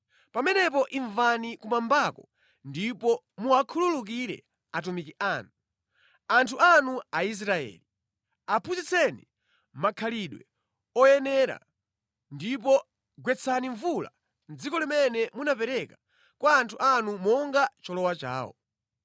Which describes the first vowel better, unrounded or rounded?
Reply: unrounded